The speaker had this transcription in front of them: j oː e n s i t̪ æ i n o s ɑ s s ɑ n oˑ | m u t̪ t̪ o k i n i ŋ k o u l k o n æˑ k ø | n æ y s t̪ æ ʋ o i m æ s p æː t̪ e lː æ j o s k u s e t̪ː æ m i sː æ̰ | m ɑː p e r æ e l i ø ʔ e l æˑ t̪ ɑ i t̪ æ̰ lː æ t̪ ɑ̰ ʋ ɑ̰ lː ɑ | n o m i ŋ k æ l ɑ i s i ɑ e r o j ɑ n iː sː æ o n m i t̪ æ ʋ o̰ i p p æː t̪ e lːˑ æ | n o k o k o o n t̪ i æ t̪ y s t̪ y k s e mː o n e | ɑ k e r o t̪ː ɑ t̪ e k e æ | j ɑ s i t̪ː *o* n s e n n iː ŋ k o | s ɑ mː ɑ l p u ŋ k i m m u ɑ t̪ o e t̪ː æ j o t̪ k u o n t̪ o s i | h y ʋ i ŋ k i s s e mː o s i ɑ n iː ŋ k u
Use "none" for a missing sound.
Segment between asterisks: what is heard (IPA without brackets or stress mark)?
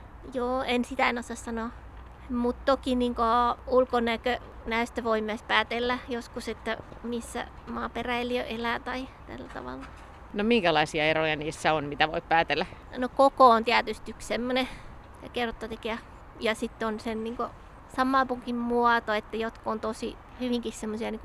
o